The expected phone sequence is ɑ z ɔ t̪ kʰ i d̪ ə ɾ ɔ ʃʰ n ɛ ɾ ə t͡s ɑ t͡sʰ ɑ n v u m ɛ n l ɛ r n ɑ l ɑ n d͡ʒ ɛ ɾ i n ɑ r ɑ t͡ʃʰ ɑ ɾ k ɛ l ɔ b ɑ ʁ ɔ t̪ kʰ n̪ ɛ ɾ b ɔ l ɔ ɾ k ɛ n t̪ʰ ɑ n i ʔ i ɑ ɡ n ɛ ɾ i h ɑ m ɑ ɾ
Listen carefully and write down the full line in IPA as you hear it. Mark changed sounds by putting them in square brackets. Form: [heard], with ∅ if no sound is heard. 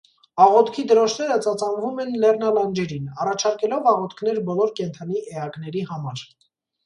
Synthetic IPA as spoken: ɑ [ʁ] ɔ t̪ kʰ i d̪ ə ɾ ɔ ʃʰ n ɛ ɾ ə t͡s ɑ [t͡s] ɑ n v u m ɛ n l ɛ r n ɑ l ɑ n d͡ʒ ɛ ɾ i n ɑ r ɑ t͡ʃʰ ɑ ɾ k ɛ l ɔ [v] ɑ ʁ ɔ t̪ kʰ n̪ ɛ ɾ b ɔ l ɔ ɾ k ɛ n t̪ʰ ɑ n i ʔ [ɛ] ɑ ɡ n ɛ ɾ i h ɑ m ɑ ɾ